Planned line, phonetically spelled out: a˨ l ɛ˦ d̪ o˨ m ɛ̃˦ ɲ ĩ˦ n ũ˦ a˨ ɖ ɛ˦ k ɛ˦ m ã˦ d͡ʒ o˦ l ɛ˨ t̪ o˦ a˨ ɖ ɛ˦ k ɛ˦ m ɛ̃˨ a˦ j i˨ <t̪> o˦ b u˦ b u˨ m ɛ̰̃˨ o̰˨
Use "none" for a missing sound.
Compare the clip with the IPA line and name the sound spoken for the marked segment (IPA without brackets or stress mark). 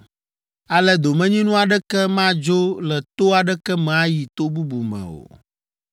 t̪